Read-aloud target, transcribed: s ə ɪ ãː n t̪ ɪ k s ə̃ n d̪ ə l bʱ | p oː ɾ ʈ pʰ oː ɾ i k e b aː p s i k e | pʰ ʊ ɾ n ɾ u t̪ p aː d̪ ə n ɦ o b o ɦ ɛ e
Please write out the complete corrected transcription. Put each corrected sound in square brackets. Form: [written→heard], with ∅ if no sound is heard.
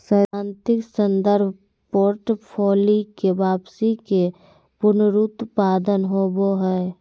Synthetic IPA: s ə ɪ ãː n t̪ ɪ k s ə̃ n d̪ ə [l→ɾ] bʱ | p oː ɾ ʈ pʰ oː [ɾ→l] i k e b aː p s i k e | [pʰ→p] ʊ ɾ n ɾ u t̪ p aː d̪ ə n ɦ o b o ɦ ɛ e